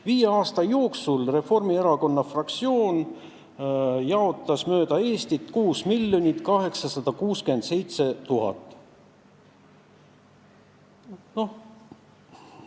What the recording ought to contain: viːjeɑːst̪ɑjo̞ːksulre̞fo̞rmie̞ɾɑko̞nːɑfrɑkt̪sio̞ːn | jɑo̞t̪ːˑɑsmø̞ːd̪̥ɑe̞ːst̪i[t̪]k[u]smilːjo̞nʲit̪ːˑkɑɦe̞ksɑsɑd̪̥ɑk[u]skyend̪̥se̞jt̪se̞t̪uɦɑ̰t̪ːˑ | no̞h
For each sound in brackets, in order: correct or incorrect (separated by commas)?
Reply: correct, incorrect, incorrect